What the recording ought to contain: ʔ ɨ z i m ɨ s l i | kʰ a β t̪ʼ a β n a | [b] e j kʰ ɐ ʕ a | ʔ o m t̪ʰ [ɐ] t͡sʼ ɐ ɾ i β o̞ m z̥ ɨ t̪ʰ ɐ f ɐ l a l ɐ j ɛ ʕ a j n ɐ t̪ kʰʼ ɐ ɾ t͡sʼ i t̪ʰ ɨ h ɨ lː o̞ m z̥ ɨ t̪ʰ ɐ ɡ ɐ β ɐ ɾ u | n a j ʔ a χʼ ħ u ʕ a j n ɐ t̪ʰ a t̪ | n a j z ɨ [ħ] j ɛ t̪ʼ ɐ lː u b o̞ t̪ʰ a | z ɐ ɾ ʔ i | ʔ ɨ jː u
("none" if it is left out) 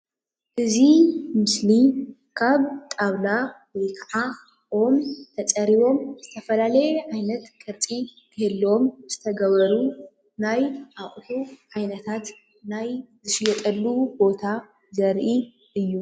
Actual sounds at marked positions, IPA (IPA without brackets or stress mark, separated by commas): w, ɐ, ʃ